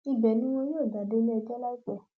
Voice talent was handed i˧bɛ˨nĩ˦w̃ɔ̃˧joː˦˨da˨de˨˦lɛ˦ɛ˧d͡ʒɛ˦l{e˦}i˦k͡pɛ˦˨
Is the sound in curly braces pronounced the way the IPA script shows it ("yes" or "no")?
no